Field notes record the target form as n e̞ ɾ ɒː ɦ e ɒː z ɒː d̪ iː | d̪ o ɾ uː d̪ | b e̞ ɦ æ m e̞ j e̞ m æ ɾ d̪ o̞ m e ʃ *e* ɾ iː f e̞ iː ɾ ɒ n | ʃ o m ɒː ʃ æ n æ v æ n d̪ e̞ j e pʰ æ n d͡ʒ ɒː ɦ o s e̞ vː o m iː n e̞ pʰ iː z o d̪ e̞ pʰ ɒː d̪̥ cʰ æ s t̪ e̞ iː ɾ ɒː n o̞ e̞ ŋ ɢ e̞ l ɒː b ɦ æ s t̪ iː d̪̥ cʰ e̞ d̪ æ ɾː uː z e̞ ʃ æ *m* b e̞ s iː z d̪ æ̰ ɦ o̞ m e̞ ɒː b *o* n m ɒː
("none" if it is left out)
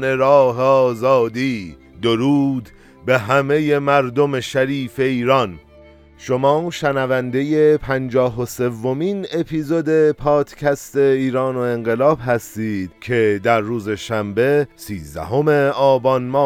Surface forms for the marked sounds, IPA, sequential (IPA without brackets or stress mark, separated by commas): æ, m, ɒ